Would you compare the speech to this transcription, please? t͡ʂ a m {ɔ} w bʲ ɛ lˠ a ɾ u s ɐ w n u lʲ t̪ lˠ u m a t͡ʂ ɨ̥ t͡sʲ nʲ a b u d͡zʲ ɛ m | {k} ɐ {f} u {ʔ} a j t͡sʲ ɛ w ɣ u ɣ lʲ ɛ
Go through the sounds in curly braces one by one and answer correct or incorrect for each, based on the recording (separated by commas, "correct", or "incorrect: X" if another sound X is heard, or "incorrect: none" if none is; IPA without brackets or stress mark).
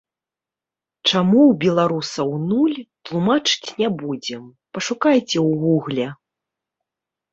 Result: incorrect: u, incorrect: p, incorrect: ʂ, incorrect: k